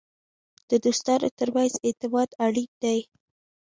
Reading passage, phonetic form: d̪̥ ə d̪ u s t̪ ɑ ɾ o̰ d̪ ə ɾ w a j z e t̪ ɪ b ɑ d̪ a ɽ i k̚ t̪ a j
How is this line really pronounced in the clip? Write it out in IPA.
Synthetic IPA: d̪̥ ə d̪ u s t̪ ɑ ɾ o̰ t̪ ə ɾ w a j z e t̪ ɪ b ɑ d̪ a ɽ i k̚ d̪ a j